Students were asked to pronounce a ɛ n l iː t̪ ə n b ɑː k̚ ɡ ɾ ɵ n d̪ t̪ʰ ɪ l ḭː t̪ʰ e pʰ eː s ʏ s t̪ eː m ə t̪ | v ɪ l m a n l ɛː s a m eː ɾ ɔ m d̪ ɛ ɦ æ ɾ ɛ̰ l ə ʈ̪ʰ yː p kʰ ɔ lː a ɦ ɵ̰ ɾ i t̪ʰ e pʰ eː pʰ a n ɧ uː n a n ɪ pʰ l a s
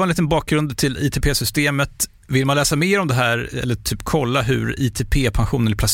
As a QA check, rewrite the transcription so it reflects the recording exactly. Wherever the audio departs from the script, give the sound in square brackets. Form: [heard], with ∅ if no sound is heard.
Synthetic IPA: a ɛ n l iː t̪ ə n b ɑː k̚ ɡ ɾ ɵ n d̪ t̪ʰ ɪ l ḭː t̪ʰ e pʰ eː s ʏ s t̪ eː m ə t̪ | v ɪ l m a n l ɛː s a m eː ɾ ɔ m d̪ ɛ ɦ [æː] ɾ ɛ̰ [lː] ə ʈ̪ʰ yː p kʰ ɔ lː a ɦ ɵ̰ ɾ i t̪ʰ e pʰ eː pʰ a n ɧ uː n [ə] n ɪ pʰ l a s